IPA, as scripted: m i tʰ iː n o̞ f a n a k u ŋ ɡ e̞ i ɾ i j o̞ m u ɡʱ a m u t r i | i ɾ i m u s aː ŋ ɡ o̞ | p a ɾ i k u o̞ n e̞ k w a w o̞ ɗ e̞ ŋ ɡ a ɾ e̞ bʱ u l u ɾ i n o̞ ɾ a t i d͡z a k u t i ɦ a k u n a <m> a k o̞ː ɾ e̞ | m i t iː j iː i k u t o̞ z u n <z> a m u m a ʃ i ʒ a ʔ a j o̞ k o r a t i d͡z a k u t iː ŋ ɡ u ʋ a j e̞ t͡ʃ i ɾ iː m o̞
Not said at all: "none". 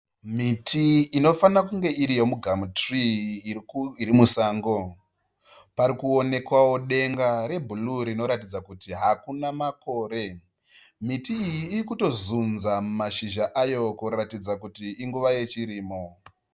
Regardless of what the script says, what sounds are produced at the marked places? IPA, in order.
m, z

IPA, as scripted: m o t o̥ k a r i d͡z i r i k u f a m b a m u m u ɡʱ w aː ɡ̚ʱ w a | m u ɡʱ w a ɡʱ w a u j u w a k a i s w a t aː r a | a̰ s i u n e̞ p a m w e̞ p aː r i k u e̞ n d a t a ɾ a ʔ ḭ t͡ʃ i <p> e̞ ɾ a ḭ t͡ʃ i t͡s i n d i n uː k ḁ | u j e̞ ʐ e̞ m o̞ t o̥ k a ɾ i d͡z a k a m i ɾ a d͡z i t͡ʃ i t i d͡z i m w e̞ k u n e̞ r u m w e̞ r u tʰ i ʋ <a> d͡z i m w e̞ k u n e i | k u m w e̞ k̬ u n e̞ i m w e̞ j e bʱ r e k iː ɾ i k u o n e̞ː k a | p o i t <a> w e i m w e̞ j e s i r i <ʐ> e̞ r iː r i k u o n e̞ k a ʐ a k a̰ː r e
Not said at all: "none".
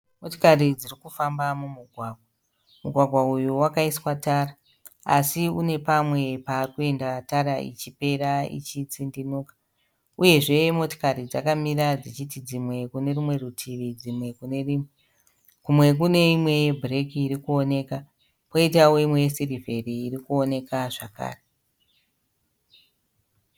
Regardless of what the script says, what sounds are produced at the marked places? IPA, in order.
p, i, a, v

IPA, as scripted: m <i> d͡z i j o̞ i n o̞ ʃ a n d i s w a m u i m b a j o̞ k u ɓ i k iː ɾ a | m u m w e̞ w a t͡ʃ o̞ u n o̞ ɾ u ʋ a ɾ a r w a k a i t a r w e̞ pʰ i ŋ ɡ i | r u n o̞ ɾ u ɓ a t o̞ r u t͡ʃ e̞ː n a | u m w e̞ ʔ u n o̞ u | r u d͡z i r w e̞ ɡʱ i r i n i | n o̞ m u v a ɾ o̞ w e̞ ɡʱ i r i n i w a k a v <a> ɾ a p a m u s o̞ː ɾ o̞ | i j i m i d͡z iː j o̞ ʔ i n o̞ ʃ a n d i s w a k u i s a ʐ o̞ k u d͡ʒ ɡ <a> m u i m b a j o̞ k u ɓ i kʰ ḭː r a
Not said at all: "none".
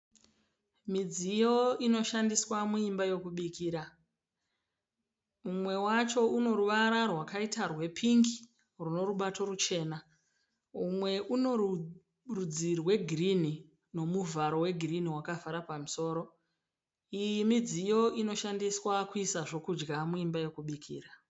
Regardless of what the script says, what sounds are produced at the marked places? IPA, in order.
i, a, a

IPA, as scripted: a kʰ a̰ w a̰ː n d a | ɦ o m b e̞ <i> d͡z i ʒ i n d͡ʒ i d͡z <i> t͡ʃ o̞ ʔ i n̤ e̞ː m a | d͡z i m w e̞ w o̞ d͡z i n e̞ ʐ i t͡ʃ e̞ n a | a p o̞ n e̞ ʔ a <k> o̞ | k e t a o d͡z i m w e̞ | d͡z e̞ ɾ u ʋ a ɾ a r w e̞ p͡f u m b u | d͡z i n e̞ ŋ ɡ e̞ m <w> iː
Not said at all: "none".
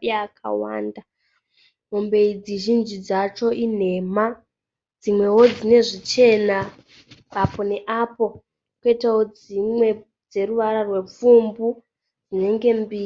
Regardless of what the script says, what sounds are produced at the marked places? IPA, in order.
i, a, p, b

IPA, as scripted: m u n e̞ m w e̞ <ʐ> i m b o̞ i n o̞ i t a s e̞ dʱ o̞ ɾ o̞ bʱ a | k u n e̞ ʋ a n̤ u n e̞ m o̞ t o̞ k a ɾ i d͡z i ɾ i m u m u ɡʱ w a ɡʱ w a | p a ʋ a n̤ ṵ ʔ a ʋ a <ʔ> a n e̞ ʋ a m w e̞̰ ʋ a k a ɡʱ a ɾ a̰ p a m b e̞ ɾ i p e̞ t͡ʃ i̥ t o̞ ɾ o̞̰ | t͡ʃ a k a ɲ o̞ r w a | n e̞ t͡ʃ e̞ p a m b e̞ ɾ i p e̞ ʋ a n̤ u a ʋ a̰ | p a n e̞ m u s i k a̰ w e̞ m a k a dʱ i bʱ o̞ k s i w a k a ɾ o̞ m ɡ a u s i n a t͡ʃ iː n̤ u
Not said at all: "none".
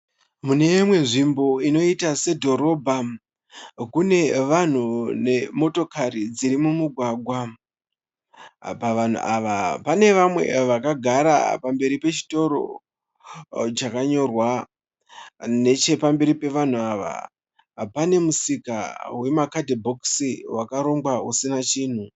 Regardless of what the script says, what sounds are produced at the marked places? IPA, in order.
ʐ, p

